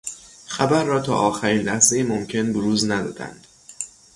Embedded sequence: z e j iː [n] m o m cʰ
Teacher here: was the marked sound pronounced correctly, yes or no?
no